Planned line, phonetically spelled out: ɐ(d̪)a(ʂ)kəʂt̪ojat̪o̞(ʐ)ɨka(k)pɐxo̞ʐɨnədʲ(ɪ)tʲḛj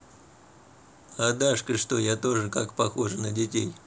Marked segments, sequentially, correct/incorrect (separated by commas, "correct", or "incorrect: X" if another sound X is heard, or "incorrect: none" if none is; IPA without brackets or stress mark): correct, correct, correct, correct, correct